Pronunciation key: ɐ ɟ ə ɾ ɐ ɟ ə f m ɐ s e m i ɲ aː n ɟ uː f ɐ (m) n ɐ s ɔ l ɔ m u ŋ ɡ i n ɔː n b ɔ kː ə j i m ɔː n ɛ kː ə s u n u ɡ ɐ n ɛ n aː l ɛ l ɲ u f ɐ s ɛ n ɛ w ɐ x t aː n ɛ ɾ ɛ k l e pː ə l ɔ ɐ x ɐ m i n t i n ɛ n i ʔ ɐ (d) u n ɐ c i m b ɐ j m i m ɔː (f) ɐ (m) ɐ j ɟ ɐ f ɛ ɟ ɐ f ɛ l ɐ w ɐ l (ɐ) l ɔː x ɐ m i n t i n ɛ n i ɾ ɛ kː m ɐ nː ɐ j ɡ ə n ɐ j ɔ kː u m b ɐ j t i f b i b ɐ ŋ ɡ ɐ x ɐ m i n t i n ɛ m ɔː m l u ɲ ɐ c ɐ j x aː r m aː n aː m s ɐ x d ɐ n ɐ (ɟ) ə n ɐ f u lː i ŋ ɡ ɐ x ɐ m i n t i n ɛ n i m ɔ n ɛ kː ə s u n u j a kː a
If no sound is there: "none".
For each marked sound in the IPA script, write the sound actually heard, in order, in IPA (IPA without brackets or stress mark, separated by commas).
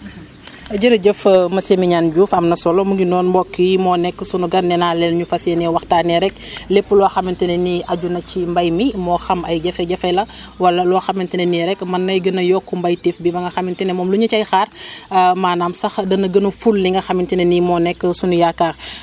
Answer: m, ɟ, x, m, ɐ, ɡ